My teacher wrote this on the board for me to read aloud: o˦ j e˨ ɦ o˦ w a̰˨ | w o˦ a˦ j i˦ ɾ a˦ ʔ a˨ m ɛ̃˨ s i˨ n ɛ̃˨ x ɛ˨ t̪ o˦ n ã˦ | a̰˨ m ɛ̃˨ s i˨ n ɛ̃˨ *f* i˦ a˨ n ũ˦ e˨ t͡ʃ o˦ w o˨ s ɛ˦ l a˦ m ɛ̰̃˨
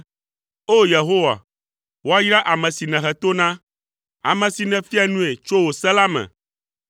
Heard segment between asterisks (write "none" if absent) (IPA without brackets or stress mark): f